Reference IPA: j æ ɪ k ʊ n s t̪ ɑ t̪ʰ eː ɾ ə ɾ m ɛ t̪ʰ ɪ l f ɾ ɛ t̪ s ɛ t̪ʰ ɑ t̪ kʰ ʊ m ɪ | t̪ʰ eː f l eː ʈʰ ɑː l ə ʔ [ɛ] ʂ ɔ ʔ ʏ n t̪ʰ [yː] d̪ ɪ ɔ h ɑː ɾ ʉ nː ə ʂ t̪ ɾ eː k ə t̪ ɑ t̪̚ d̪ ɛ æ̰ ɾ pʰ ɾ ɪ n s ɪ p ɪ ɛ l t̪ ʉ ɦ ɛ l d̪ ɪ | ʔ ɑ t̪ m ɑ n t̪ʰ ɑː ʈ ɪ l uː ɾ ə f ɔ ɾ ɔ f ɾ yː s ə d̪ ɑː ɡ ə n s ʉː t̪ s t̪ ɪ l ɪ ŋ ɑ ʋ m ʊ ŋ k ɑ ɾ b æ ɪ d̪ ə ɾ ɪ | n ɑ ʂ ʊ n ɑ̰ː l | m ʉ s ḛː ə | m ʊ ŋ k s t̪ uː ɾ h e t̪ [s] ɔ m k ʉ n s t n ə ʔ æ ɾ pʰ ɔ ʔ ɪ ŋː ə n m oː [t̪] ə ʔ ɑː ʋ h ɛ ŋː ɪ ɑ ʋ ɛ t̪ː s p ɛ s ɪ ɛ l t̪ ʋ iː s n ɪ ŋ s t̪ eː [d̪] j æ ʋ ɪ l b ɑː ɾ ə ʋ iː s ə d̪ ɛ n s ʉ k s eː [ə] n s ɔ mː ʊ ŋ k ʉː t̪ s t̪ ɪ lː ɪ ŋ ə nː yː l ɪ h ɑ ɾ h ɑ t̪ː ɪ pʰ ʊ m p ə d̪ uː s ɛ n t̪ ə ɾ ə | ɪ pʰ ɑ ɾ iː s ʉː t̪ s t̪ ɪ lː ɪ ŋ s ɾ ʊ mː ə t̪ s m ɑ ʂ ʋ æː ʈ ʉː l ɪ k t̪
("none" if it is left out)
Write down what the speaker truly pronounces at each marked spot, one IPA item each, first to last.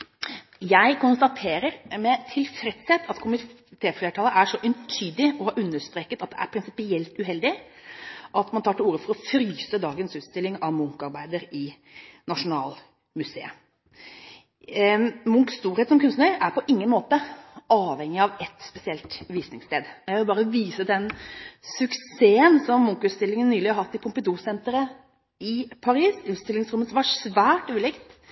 æ, yː, s, t̪, d̪, ə

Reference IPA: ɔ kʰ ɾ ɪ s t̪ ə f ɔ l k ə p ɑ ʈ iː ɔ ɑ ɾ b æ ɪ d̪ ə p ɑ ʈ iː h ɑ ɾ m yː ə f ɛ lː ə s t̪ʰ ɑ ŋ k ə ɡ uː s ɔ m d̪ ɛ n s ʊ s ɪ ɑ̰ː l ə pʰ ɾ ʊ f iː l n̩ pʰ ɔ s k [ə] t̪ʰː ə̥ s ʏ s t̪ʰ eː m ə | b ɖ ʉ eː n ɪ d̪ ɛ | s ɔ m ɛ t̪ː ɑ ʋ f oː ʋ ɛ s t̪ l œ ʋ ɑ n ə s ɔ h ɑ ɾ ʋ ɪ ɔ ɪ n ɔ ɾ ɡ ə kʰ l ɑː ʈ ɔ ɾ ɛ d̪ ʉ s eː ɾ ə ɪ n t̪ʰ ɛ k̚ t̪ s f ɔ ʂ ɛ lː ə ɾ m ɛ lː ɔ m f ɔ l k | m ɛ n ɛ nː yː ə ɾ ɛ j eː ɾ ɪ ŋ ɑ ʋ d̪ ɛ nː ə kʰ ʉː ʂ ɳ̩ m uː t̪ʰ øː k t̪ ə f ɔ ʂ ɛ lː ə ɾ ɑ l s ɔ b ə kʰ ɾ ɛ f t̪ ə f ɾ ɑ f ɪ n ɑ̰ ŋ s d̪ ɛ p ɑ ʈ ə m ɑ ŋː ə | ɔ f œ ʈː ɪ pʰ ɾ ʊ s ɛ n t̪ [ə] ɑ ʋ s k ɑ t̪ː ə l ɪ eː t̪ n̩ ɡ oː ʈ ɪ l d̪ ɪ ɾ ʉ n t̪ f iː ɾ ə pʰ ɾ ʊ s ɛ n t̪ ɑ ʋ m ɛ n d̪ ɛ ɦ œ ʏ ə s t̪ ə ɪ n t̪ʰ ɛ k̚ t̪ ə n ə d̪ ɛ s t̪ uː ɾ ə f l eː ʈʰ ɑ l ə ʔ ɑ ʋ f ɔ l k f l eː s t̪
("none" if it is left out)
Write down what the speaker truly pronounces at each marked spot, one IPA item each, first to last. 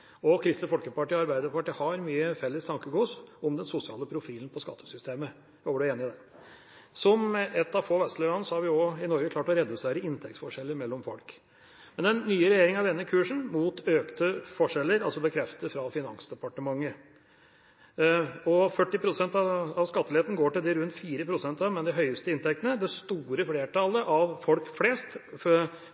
ɑ, ɑ

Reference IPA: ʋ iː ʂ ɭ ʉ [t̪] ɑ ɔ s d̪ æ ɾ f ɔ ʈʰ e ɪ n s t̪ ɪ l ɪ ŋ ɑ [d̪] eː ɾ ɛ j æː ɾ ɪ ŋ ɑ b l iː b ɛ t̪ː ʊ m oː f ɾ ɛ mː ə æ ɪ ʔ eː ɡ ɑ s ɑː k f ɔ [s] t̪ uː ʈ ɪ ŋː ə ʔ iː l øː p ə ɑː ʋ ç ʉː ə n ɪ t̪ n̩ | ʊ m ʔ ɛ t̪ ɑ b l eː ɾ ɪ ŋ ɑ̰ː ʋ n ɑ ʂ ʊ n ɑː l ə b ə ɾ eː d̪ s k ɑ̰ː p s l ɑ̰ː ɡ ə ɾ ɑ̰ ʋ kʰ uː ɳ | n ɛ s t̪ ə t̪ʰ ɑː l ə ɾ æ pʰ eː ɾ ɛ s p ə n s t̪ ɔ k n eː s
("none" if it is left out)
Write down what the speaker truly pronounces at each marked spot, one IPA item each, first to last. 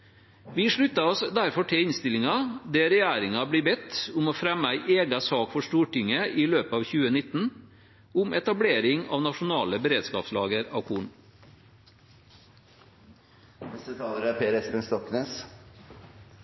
t̪, d̪, ʂ

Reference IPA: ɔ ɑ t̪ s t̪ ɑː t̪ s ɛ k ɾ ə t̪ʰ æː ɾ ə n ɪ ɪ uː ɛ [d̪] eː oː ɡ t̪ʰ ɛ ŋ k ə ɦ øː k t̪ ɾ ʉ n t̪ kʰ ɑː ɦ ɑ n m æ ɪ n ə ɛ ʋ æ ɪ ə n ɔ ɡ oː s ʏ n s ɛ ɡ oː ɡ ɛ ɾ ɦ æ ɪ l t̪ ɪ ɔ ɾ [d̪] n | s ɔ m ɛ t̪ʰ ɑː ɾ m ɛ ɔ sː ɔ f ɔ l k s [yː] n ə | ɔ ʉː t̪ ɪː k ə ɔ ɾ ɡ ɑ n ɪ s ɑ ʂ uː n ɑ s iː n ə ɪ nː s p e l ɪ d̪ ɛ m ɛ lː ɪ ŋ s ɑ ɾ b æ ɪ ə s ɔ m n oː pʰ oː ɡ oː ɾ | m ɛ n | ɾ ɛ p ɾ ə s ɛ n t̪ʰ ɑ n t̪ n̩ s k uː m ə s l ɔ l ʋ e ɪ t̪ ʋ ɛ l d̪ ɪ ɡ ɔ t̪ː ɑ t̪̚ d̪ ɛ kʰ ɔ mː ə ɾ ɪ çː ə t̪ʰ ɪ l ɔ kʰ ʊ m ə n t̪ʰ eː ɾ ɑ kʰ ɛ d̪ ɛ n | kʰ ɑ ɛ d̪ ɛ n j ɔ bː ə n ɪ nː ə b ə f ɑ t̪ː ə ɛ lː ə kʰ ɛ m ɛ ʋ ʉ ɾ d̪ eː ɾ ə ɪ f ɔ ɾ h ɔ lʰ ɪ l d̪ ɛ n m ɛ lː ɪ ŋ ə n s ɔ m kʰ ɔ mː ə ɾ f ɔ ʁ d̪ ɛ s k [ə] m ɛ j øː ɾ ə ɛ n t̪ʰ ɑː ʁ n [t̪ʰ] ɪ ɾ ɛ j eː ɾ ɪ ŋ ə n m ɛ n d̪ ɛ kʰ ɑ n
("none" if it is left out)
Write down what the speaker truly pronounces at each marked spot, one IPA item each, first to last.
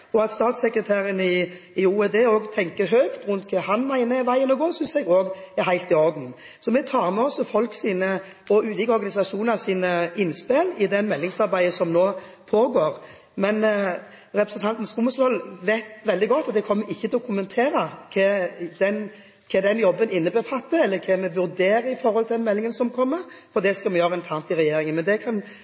d̪, d̪, iː, ɑ, t̪

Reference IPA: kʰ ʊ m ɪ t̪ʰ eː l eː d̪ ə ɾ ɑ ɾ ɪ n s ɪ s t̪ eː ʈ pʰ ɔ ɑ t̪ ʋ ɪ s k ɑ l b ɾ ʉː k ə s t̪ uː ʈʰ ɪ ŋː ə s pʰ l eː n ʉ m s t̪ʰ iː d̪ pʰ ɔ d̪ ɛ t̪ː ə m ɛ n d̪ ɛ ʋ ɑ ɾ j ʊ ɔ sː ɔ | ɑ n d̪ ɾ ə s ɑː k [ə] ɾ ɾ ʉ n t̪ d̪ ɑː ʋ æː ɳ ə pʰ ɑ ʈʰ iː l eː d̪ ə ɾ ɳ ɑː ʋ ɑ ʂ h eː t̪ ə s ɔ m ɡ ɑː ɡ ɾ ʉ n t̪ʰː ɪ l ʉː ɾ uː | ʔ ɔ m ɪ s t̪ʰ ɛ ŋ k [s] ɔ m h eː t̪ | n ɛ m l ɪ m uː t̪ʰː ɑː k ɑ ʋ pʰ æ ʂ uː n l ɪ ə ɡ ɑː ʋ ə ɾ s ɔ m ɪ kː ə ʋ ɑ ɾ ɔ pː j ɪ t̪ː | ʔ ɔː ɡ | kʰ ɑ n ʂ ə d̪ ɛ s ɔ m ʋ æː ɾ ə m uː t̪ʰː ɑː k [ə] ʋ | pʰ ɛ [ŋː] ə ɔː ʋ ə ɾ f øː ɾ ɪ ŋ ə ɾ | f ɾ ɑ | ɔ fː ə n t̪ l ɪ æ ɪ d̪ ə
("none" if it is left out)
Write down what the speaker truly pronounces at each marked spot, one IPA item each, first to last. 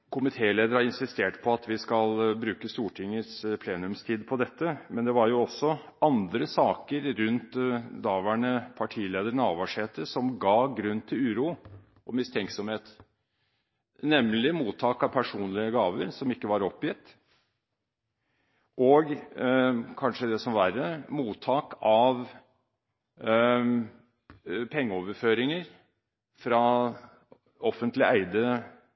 ə, s, ɑ, ŋː

